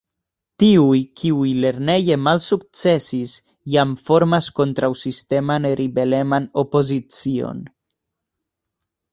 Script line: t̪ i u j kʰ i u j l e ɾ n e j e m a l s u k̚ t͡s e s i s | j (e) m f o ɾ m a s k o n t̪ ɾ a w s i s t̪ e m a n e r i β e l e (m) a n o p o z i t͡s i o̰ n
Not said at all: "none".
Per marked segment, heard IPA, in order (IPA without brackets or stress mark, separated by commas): a, m